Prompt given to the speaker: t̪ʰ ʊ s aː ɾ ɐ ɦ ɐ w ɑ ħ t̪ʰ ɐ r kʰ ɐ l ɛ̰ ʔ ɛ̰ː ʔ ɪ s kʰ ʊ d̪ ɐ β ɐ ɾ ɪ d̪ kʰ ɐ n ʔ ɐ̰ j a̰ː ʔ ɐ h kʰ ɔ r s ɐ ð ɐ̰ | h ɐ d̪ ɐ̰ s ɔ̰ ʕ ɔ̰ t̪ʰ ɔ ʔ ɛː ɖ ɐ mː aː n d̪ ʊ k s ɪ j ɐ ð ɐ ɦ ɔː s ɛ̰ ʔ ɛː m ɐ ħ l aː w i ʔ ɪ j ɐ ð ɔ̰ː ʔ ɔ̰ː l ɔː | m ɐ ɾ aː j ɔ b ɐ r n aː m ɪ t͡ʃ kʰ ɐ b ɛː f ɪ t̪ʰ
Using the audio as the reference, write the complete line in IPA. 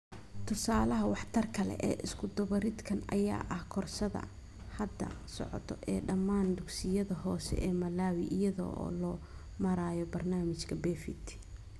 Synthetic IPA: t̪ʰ ʊ s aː l ɐ ɦ ɐ w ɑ ħ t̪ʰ ɐ r kʰ ɐ l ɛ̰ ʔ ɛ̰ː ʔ ɪ s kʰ ʊ d̪ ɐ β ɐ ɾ ɪ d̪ kʰ ɐ n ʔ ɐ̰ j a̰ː ʔ ɐ h kʰ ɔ r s ɐ ð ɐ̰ | h ɐ d̪ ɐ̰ s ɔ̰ ʕ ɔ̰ t̪ʰ ɔ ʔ ɛː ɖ ɐ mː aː n d̪ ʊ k s ɪ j ɐ ð ɐ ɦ ɔː s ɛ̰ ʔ ɛː m ɐ l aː w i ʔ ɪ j ɐ ð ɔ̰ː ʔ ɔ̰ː l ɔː | m ɐ ɾ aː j ɔ b ɐ r n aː m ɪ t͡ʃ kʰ ɐ b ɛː f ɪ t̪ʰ

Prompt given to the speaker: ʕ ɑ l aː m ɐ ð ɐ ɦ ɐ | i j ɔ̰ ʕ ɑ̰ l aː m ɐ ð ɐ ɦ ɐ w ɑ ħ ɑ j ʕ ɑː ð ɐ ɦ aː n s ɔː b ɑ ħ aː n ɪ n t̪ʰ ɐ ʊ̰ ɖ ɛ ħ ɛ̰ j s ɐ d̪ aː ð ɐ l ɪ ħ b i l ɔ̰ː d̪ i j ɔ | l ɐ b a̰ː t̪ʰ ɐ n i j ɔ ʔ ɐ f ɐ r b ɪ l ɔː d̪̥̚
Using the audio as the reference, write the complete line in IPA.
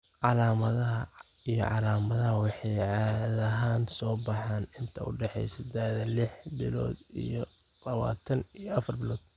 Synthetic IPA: ʕ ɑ l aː m ɐ ð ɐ ɦ ɐ | i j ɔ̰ ʕ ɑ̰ l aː m ɐ ð ɐ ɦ ɐ w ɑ ħ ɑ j ʕ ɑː ð ɐ ɦ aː n s ɔː b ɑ ħ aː n ɪ n t̪ʰ ɐ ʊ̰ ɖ ɛ ħ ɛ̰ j s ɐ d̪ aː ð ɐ l ɪ ħ b ɪ l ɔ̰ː d̪ i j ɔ | l ɐ β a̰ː t̪ʰ ɐ n i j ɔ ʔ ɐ f ɐ r b ɪ l ɔː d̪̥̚

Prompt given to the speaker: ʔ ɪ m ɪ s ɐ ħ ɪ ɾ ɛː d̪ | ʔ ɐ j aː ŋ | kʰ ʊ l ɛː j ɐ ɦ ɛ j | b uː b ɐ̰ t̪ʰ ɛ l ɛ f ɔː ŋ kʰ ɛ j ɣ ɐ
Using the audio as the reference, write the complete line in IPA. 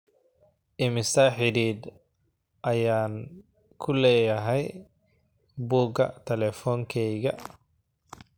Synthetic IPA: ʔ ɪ m ɪ s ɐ ħ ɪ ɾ iː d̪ | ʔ ɐ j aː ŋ | kʰ ʊ l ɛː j ɐ ɦ ɛ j | b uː ɡ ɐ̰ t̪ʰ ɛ l ɛ f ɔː ŋ kʰ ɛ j ɣ ɐ

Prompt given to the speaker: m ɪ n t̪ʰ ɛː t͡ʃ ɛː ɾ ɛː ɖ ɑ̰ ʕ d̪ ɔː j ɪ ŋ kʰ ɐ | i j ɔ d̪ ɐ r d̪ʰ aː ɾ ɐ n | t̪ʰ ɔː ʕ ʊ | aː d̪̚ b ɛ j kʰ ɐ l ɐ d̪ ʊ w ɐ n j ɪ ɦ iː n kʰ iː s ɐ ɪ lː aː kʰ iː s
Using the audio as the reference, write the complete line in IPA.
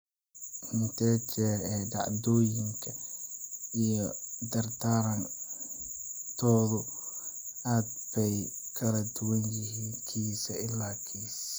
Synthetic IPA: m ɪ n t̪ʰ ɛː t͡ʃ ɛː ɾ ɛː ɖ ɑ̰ ʕ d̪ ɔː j ɪ ŋ kʰ ɐ | i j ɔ d̪ ɐ r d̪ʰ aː ɾ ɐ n | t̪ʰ ɔː ð ʊ | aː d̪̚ b ɛ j kʰ ɐ l ɐ d̪ ʊ w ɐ n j ɪ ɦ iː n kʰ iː s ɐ ɪ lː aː kʰ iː s

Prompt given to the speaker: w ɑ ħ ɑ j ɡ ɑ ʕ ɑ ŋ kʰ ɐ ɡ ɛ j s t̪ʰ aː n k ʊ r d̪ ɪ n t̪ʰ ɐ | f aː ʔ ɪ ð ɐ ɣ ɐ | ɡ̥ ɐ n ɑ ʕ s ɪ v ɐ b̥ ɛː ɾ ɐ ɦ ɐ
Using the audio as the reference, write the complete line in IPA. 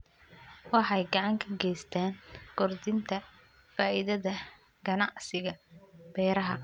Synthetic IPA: w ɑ ħ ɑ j ɡ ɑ ʕ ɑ ŋ kʰ ɐ ɡ ɛ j s t̪ʰ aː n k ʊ r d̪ ɪ n t̪ʰ ɐ | f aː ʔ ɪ ð ɐ ð ɐ | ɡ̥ ɐ n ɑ ʕ s ɪ ɣ ɐ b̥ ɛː ɾ ɐ ɦ ɐ

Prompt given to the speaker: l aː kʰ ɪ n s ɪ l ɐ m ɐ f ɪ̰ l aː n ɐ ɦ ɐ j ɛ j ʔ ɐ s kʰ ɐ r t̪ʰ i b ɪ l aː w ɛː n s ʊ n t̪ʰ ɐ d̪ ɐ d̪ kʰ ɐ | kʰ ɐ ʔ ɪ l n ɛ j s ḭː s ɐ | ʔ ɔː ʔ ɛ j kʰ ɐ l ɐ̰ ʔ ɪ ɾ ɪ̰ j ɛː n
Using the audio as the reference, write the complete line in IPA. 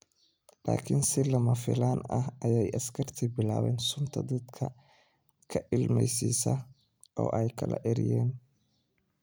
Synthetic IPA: l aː kʰ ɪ n s ɪ l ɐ m ɐ f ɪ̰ l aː n ɐ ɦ ɐ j ɛ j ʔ ɐ s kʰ ɐ r t̪ʰ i b ɪ l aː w ɛː n s ʊ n t̪ʰ ɐ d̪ ɐ d̪ kʰ ɐ | kʰ ɐ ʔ ɪ l m ɛ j s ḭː s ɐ | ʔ ɔː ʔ ɛ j kʰ ɐ l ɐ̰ ʔ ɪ ɾ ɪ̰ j ɛː n

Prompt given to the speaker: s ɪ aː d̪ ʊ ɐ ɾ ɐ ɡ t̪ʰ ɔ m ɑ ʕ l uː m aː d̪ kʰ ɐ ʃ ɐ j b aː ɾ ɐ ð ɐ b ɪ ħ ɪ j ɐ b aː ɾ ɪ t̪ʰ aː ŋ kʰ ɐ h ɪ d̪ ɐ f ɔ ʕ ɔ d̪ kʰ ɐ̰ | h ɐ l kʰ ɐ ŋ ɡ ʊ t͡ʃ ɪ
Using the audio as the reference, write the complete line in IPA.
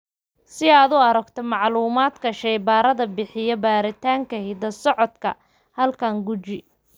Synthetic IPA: s ɪ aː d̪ ʊ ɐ ɾ ɐ ɡ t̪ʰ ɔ m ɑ ʕ l uː m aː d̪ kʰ ɐ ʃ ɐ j b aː ɾ ɐ ð ɐ b ɪ ħ ɪ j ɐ b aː ɾ ɪ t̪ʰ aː ŋ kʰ ɐ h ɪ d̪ ɐ s ɔ ʕ ɔ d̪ kʰ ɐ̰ | h ɐ l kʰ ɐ ŋ ɡ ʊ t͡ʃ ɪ

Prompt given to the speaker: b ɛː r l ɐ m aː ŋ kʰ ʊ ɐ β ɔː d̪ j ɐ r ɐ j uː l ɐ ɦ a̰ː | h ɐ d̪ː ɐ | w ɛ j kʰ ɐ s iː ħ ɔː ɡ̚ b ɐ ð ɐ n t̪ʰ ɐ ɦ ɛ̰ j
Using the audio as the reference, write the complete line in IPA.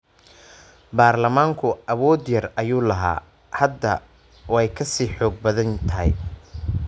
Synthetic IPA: b aː r l ɐ m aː ŋ kʰ ʊ ɐ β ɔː d̪ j ɐ r ɐ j uː l ɐ ɦ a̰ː | h ɐ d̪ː ɐ | w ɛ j kʰ ɐ s iː ħ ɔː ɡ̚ b ɐ ð ɐ n t̪ʰ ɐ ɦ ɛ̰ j

